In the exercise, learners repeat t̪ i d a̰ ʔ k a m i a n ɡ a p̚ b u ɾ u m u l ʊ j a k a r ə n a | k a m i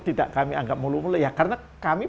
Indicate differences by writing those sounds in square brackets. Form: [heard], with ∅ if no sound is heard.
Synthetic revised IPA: t̪ i d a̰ ʔ k a m i a [ŋ] ɡ a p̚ [m] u [l] u m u l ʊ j a k a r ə n a | k a m i